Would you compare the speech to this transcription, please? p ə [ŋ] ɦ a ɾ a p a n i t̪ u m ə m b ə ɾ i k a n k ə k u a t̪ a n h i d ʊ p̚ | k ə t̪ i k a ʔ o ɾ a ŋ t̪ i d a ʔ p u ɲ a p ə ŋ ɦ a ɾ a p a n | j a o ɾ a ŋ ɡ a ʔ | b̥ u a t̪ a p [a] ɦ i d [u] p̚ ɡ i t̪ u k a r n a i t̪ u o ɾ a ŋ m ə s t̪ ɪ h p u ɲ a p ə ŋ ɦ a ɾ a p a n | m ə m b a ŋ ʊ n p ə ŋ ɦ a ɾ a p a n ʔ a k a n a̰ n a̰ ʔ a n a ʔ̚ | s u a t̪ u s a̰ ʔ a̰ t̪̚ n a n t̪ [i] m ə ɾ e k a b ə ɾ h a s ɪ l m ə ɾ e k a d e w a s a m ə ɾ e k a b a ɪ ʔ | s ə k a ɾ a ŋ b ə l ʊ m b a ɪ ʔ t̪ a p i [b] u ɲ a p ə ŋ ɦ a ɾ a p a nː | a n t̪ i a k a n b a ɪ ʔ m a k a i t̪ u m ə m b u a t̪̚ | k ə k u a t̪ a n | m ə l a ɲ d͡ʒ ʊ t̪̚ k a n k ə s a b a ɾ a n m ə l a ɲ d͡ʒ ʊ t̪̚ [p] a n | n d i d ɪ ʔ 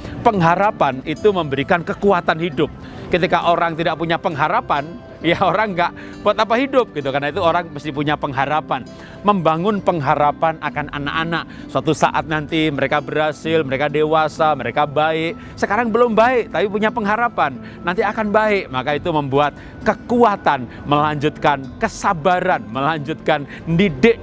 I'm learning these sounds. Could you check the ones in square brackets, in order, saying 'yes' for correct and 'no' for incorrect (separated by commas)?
yes, yes, no, yes, no, no